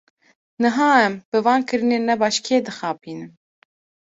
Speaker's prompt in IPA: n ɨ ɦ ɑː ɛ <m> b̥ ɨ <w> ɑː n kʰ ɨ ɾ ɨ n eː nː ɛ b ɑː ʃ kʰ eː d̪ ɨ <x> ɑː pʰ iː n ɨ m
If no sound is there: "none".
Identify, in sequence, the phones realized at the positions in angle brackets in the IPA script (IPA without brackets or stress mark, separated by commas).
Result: m, v, x